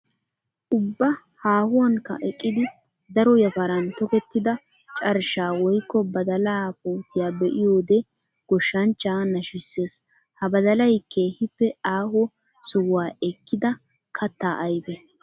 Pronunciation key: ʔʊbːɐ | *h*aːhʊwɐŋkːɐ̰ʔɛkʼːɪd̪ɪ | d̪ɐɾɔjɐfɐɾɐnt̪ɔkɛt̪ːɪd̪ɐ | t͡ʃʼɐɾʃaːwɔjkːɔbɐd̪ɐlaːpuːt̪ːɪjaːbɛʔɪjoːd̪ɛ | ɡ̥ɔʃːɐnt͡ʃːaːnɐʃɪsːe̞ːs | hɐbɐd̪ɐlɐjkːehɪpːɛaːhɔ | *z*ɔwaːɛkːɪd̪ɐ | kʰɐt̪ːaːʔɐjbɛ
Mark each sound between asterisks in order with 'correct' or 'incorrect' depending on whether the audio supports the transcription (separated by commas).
correct, incorrect